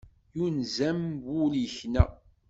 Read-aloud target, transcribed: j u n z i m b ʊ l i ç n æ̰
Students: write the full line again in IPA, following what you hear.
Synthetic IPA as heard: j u n z æ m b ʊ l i ç n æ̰